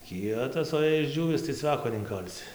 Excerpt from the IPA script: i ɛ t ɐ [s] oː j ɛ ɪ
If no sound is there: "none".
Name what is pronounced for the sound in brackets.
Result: s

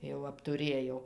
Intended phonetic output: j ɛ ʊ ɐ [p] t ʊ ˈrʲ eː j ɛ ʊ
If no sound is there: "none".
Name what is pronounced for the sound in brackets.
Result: p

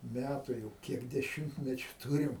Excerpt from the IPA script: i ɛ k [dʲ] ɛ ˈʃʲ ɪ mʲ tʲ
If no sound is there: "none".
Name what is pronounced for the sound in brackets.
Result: dʲ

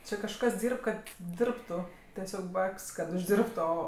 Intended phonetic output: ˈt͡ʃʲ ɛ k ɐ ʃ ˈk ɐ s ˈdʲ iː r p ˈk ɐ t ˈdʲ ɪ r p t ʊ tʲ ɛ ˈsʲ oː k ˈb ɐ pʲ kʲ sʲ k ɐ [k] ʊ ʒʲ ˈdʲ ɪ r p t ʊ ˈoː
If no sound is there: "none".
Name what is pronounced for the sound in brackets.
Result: t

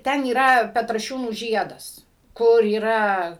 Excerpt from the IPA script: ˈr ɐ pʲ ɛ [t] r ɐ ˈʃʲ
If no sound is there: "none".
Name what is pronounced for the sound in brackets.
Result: t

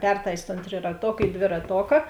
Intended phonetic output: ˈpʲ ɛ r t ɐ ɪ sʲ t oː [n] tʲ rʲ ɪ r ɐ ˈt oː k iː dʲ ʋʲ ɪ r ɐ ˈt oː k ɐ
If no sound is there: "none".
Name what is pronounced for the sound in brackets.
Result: n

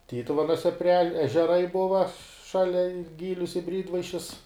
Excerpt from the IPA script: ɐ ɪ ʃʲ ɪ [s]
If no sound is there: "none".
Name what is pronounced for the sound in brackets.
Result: s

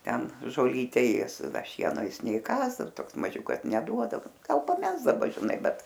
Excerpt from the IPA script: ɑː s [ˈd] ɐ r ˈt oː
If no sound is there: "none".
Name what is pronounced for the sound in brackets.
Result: d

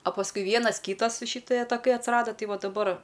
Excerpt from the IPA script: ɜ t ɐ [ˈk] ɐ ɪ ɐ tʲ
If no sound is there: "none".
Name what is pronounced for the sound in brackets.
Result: k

